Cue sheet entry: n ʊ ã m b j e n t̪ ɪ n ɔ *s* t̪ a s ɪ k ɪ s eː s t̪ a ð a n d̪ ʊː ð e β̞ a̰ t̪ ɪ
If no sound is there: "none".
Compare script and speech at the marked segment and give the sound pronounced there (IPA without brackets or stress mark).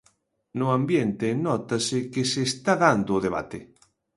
none